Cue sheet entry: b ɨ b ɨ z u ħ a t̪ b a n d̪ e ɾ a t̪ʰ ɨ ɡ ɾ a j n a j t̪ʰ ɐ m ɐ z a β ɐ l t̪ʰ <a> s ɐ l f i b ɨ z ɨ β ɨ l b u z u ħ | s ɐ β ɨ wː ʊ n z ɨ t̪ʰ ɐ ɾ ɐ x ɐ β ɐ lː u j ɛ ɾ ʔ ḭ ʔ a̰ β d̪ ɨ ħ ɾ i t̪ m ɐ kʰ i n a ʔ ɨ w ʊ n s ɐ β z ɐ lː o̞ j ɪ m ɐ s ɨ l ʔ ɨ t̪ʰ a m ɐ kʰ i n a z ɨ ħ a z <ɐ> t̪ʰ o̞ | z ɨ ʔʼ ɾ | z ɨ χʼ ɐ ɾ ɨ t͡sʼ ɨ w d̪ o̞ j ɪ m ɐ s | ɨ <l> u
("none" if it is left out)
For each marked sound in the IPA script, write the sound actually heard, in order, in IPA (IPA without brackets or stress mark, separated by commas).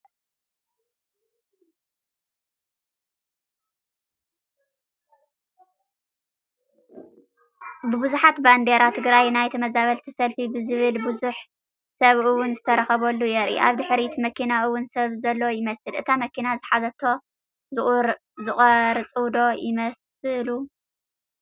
i, ɐ, l